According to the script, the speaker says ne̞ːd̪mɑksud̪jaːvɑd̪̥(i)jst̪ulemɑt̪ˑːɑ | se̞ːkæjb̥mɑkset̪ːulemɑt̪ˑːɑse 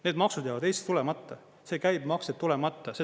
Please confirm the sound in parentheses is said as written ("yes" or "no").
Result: no